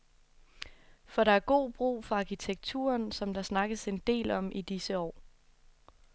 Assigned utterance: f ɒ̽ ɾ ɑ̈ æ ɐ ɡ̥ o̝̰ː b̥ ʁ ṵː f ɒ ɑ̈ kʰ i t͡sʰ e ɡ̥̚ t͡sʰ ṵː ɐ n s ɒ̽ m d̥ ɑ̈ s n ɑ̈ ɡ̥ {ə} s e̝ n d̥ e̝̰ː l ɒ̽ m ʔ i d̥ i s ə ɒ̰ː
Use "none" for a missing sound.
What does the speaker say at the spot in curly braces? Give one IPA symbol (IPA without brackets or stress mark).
ə